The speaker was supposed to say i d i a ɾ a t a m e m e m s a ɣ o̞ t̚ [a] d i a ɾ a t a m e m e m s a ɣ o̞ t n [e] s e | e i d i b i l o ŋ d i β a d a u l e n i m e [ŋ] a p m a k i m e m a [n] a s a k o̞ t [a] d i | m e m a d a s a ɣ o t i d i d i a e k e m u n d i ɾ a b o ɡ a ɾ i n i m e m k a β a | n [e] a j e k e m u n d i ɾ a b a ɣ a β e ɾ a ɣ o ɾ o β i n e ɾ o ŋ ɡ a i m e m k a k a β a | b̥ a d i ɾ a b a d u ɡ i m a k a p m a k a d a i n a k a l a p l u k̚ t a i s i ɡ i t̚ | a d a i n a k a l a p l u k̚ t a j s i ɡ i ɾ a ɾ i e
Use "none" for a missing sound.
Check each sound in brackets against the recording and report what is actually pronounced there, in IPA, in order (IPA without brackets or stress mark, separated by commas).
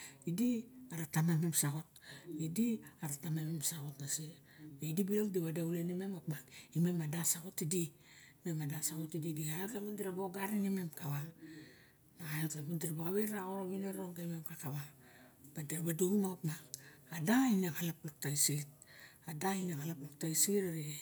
i, a, m, d, i, a